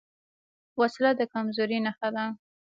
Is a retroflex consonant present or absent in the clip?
absent